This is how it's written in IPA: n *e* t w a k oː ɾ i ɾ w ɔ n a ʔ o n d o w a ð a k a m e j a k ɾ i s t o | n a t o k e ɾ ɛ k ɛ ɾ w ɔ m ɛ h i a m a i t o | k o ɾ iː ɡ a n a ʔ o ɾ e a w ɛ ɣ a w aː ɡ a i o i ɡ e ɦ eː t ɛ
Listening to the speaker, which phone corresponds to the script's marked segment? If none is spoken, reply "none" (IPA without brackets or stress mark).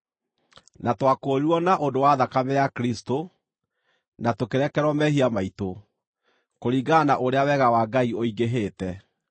a